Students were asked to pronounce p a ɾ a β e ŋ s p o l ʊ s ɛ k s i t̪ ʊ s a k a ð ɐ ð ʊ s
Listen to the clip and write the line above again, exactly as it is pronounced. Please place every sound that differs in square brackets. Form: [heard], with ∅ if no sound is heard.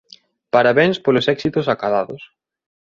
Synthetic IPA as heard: p a ɾ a β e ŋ s p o l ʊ s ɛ k s i t̪ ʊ s a k a ð [a] ð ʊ s

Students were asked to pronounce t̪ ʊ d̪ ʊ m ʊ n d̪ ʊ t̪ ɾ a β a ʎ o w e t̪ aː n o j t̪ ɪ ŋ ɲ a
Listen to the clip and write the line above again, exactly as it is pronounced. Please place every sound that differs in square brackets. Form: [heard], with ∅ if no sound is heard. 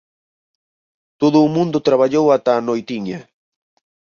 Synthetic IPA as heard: t̪ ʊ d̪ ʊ m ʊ n d̪ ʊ t̪ ɾ a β a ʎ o w [a] t̪ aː n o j t̪ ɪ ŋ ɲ a

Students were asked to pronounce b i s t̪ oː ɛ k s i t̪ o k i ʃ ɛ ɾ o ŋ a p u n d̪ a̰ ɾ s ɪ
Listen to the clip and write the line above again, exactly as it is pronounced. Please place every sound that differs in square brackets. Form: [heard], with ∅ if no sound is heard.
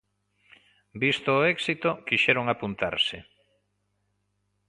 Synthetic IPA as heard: b i s t̪ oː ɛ k s i t̪ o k i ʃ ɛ ɾ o ŋ a p u n [t̪] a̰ ɾ s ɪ

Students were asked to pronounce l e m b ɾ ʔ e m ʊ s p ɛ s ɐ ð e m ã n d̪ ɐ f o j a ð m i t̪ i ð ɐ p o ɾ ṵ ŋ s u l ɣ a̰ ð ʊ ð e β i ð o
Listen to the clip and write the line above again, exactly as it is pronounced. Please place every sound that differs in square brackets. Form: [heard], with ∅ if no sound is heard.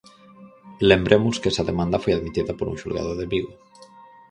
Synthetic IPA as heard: l e m b ɾ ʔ e m ʊ s [k] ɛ s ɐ ð e m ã n d̪ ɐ f o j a ð m i t̪ i ð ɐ p o ɾ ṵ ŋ [ʃ] u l ɣ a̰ ð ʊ ð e β i [ɣ] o

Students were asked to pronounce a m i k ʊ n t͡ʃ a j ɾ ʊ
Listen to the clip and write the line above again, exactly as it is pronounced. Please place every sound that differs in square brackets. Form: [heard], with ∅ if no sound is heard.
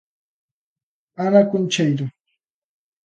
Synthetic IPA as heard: a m [a] k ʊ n t͡ʃ a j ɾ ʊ

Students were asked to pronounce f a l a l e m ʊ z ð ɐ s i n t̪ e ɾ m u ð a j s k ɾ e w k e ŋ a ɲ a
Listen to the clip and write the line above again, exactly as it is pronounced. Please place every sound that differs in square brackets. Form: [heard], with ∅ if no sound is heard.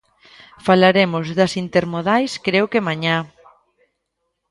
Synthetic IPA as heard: f a l a [ɾ] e m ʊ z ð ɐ s i n t̪ e ɾ m [o] ð a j s k ɾ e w k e [m] a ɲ a

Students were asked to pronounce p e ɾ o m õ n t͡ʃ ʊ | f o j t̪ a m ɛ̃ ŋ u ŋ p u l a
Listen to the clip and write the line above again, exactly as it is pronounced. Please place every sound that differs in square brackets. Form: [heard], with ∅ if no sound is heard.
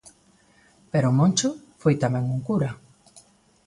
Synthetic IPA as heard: p e ɾ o m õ n t͡ʃ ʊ | f o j t̪ a m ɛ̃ ŋ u ŋ [k] u [ɾ] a

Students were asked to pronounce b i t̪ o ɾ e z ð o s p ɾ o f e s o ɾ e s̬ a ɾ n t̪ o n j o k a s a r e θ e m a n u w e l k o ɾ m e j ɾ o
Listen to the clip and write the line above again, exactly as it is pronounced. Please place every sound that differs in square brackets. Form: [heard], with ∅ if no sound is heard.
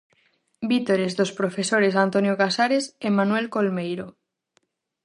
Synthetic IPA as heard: b i t̪ o ɾ e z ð o s p ɾ o f e s o ɾ e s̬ a [∅] n t̪ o n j o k a s a [ɾ] e [s] e m a n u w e l k o [l] m e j ɾ o

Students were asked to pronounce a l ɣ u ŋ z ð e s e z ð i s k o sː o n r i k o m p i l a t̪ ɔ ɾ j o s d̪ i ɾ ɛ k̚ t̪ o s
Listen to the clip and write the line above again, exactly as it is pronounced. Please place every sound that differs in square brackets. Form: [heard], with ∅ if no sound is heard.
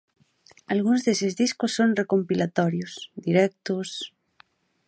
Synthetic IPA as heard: a l ɣ u [n] z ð e s e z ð i s k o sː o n r [e] k o m p i l a t̪ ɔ ɾ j o s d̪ i ɾ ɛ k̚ t̪ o s

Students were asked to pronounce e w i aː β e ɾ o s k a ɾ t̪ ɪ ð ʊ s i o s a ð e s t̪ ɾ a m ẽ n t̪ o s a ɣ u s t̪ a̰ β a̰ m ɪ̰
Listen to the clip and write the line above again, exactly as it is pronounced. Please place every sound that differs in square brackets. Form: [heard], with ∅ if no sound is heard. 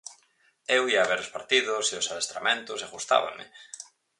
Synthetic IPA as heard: e w i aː β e ɾ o s [p] a ɾ t̪ [i] ð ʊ s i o s a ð e s t̪ ɾ a m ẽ n t̪ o s a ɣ u s t̪ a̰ β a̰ m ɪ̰

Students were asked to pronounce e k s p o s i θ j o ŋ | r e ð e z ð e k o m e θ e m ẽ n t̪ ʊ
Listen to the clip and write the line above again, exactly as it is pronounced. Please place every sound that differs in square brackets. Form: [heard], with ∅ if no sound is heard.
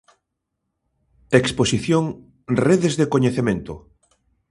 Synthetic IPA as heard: e k s p o s i θ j o ŋ | r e ð e z ð e k o [ɲ] e θ e m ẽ n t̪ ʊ

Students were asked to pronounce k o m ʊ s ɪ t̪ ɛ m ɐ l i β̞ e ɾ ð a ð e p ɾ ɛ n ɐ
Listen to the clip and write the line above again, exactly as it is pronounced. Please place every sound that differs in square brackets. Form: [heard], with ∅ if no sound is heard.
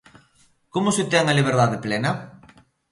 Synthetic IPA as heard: k o m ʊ s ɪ t̪ ɛ [ŋ] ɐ l i β̞ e ɾ ð a ð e p [l] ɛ n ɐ

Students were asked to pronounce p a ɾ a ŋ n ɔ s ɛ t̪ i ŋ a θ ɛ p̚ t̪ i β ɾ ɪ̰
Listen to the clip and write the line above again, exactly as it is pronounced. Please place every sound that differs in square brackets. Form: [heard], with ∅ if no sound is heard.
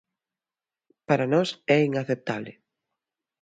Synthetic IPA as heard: p a ɾ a [∅] n ɔ s ɛ [∅] i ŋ a θ [e] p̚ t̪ [a] β [l] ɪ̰

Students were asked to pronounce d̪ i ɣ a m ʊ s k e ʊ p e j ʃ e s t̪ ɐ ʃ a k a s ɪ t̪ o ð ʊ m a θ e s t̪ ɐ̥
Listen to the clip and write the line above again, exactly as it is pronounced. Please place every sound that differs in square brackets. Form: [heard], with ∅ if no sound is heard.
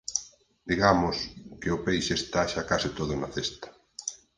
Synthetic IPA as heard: d̪ i ɣ a m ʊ s k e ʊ p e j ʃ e s t̪ [a] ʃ a k a s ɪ t̪ o ð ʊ [n] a θ e s t̪ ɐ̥

